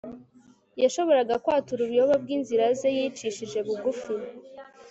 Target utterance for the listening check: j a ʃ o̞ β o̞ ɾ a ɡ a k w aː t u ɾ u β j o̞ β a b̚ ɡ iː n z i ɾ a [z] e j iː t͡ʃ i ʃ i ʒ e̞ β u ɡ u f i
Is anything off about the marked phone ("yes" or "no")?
no